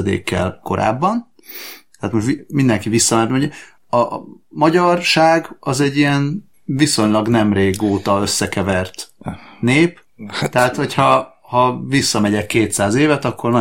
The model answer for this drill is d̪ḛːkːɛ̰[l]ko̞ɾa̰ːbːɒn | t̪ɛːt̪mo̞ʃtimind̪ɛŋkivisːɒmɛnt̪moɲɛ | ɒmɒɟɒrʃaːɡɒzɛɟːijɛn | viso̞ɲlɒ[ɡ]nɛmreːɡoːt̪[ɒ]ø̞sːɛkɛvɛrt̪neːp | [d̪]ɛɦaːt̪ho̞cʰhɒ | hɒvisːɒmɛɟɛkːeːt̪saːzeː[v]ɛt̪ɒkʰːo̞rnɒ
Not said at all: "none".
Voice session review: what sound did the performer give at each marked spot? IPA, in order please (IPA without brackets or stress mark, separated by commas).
l, ɡ, ɒ, t̪, v